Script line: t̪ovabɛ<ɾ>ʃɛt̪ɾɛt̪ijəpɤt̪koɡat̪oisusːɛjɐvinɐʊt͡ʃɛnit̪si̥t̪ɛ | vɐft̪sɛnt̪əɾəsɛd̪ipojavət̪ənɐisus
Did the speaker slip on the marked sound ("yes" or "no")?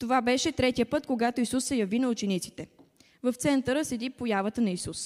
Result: yes